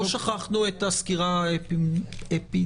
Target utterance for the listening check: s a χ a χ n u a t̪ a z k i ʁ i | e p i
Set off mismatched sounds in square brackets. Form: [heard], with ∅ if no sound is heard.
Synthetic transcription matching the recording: [ʃ] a χ a χ n u [e] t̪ a [s] k i ʁ [a] | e p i